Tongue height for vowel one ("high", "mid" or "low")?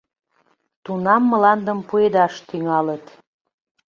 high